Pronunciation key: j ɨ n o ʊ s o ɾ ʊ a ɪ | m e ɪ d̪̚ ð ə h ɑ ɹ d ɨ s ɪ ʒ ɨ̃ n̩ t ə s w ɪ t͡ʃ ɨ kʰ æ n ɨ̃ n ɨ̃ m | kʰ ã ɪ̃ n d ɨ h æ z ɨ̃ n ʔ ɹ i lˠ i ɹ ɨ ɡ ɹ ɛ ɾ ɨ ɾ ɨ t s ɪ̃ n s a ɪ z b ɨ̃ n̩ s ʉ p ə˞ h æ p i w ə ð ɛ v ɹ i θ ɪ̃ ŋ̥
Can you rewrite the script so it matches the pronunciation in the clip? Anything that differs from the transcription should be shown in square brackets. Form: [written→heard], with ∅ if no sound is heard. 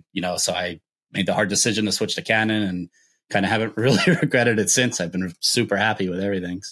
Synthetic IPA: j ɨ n o ʊ s o [ɾ→∅] ʊ a ɪ | m e ɪ d̪̚ ð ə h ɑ ɹ d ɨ s ɪ ʒ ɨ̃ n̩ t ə s w ɪ t͡ʃ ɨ kʰ æ n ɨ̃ n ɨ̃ [m→n] | kʰ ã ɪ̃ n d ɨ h æ [z→v] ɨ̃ n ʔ ɹ [i→ɪ] lˠ i ɹ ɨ ɡ ɹ ɛ ɾ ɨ ɾ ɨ t s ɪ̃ n s a ɪ [z→v] b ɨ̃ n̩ s ʉ p ə˞ h æ p i w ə ð ɛ v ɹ i θ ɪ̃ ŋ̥